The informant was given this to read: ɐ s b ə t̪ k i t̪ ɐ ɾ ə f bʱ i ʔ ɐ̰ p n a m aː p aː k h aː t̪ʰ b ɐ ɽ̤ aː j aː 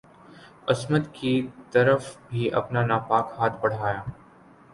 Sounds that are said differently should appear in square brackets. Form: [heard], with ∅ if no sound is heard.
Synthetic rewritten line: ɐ s [m] ə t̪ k i t̪ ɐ ɾ ə f bʱ i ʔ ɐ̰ p n a [n] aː p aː k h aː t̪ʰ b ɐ ɽ̤ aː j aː

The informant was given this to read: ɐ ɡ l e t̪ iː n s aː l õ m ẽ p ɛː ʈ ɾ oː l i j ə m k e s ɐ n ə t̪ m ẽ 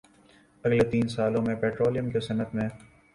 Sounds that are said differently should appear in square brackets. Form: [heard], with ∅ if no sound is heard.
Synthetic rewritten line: ɐ ɡ l e t̪ iː n s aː l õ m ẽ p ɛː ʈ ɾ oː l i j ə m k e s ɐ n ə t̪ m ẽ

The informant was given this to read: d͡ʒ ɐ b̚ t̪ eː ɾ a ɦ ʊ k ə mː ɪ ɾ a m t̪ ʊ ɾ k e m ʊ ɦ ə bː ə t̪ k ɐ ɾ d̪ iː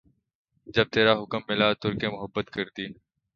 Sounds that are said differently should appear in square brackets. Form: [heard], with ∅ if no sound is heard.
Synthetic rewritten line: d͡ʒ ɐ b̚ t̪ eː ɾ a ɦ ʊ k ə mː ɪ [l] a [∅] t̪ ʊ ɾ k e m ʊ ɦ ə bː ə t̪ k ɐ ɾ d̪ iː

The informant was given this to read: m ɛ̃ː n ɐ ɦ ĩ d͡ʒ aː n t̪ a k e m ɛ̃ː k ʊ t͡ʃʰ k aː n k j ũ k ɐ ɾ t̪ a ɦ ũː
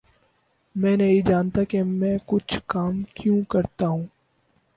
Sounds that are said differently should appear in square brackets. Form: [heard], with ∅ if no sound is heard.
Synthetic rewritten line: m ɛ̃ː n ɐ ɦ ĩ d͡ʒ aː n t̪ a k e m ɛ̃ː k ʊ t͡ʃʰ k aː [m] k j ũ k ɐ ɾ t̪ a ɦ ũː

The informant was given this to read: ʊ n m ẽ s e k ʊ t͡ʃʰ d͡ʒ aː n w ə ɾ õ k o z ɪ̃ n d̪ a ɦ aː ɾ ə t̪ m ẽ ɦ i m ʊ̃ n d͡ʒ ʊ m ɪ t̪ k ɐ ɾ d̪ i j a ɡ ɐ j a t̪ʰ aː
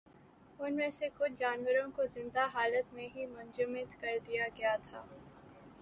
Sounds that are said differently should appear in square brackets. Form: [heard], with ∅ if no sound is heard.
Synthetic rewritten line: ʊ n m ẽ s e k ʊ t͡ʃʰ d͡ʒ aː n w ə ɾ õ k o z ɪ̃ n d̪ a ɦ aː [l] ə t̪ m ẽ ɦ i m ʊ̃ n d͡ʒ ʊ m ɪ t̪ k ɐ ɾ d̪ i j a ɡ ɐ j a t̪ʰ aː

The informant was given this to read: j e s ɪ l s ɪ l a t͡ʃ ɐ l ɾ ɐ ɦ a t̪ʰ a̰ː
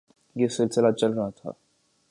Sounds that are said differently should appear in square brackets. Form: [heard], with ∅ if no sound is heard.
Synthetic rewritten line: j e s ɪ l s ɪ l a t͡ʃ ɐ l ɾ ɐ ɦ a t̪ʰ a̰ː

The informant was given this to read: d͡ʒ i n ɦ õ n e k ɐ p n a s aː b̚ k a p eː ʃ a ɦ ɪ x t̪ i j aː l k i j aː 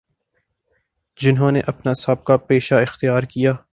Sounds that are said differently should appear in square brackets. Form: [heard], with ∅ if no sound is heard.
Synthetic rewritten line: d͡ʒ [ɪ] n ɦ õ n e [ʔ] ɐ p n a s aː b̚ k a p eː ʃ a [∅] ɪ x t̪ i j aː [ɾ] k i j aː

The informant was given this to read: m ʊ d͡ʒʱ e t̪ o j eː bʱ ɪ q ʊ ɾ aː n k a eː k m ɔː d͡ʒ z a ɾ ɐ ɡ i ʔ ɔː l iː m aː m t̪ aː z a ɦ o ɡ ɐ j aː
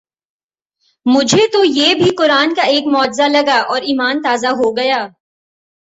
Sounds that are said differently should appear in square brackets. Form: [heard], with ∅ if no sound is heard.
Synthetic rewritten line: m ʊ d͡ʒʱ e t̪ o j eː bʱ [i] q ʊ ɾ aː n k a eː k m ɔː d͡ʒ z a [l] ɐ ɡ [a] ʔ ɔː [ɾ] iː m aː [n] t̪ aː z a ɦ o ɡ ɐ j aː

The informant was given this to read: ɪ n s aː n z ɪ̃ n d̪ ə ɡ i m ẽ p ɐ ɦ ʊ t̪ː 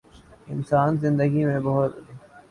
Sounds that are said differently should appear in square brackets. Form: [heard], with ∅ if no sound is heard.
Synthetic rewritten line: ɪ n s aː n z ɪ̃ n d̪ ə ɡ i m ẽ [b] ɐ ɦ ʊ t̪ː

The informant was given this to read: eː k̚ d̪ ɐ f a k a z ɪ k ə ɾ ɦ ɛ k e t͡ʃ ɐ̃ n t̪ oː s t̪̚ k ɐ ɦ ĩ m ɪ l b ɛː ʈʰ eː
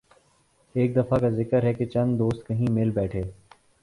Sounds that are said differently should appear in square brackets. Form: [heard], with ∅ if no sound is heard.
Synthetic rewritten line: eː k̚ d̪ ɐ f a k a z ɪ k ə ɾ ɦ ɛ k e t͡ʃ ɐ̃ n [d̪] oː s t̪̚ k ɐ ɦ ĩ m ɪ l b ɛː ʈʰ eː

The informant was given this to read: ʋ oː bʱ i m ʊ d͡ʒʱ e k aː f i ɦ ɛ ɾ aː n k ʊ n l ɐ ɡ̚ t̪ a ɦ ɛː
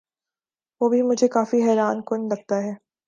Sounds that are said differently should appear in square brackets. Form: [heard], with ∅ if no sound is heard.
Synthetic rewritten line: ʋ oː bʱ i m ʊ d͡ʒʱ e k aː f i ɦ [ɛː] ɾ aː n k ʊ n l ɐ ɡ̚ t̪ a ɦ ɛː

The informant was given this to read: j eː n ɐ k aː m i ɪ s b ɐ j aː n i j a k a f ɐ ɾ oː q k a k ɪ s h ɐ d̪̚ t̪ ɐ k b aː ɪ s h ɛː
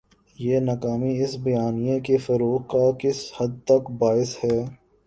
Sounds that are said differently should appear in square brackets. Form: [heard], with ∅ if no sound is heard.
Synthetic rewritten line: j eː n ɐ k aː m i ɪ s b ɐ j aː n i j [e] k [e] f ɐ ɾ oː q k a k ɪ s h ɐ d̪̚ t̪ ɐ k b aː ɪ s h ɛː

